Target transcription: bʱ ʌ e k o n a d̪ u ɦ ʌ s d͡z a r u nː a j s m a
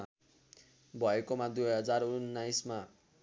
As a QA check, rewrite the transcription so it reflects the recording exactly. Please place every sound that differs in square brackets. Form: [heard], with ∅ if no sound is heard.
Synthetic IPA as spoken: bʱ ʌ e k o [m] a d̪ u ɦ ʌ [∅] d͡z a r u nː a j s m a